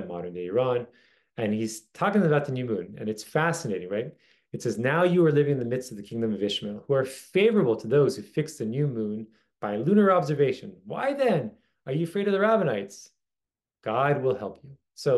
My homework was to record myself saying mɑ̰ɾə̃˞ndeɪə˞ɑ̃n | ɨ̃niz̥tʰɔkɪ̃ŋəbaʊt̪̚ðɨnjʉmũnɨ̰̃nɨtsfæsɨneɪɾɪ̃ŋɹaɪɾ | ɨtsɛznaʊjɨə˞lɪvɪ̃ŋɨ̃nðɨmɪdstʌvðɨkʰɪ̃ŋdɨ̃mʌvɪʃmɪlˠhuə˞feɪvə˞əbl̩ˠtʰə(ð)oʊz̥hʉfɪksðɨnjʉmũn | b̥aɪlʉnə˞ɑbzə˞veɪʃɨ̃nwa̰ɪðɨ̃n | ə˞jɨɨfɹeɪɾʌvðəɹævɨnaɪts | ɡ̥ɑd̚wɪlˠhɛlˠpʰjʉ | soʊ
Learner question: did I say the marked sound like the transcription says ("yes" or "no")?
yes